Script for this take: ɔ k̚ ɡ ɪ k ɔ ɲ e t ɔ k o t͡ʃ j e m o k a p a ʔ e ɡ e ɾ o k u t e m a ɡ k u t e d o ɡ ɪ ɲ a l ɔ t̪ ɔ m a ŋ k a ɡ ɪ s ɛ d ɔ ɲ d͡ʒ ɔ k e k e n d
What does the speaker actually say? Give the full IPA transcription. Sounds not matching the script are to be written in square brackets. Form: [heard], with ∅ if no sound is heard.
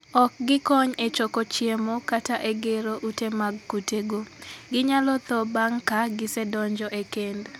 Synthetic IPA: ɔ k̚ ɡ ɪ k ɔ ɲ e [t͡ʃ] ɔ k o t͡ʃ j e m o k a [t] a ʔ e ɡ e ɾ o [ʔ] u t e m a ɡ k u t e [ɡ] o ɡ ɪ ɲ a l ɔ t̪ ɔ [b] a ŋ k a ɡ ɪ s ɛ d ɔ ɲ d͡ʒ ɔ [ʔ] e k e n d